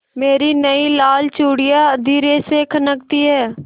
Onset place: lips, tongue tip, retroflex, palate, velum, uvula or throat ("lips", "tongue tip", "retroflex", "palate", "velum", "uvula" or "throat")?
lips